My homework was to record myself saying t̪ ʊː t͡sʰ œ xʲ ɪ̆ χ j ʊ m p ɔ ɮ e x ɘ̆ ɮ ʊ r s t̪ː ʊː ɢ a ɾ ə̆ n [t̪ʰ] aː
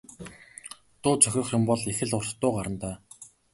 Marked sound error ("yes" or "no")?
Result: yes